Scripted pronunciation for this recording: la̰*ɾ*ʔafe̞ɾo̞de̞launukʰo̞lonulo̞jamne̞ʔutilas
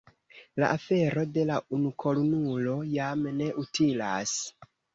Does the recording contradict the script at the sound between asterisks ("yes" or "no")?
yes